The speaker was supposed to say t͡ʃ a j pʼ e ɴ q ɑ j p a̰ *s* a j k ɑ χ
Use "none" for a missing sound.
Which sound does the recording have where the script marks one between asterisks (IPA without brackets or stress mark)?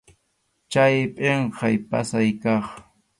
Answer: s